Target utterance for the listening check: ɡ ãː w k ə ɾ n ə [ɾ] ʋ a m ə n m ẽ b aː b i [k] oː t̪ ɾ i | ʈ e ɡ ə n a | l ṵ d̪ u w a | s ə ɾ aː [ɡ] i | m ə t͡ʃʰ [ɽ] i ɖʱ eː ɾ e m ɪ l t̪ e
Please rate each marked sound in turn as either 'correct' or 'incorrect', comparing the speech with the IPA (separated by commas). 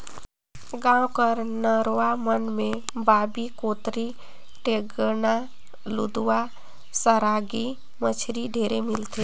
correct, correct, correct, incorrect